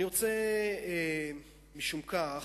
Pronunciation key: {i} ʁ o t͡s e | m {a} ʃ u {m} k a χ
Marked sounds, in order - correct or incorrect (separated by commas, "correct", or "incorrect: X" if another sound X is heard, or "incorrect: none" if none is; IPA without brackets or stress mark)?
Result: correct, incorrect: i, correct